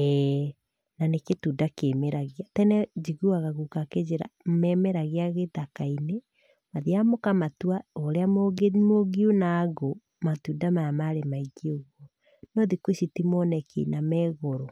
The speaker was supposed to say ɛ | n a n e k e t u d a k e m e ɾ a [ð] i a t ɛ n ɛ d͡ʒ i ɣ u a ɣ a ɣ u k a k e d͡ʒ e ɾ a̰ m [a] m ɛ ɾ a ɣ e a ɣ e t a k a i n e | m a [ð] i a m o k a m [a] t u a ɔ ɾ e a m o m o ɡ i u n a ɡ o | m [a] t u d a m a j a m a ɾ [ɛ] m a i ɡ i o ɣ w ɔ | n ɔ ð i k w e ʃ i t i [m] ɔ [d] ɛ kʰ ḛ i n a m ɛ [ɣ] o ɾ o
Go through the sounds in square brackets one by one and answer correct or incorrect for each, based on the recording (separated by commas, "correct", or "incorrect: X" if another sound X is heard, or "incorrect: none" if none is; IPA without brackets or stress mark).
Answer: incorrect: ɣ, incorrect: ɛ, correct, correct, correct, incorrect: e, correct, incorrect: n, correct